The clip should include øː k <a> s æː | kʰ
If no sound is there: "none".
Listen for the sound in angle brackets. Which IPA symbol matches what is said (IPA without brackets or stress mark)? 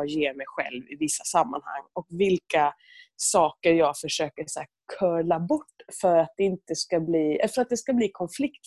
ə